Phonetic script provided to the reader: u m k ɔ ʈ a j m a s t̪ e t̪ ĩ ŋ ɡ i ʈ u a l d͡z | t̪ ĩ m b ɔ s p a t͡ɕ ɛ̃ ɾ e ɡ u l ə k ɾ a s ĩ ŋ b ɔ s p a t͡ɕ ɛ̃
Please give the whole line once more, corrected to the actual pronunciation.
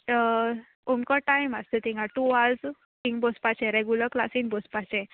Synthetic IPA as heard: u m k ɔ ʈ a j m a s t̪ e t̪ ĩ ŋ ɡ a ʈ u a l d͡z | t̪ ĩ ŋ b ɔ s p a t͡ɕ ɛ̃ ɾ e ɡ u l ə k l a s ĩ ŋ b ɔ s p a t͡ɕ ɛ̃